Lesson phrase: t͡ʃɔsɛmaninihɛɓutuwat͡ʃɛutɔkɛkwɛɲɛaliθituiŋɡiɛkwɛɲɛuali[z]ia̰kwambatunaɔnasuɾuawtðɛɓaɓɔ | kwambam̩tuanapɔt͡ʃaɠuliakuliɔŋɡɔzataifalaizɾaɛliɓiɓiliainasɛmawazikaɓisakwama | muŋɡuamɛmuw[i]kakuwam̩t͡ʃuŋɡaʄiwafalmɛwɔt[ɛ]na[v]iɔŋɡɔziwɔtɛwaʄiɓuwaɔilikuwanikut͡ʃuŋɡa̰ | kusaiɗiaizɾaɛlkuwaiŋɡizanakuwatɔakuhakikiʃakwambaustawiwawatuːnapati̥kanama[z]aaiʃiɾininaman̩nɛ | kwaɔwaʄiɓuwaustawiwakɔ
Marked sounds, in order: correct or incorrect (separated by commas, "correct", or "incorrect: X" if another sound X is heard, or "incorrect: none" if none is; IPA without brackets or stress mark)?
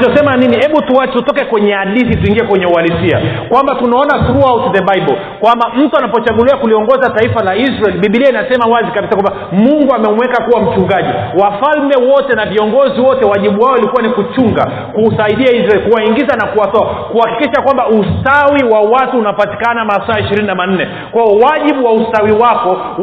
incorrect: s, incorrect: ɛ, correct, correct, incorrect: s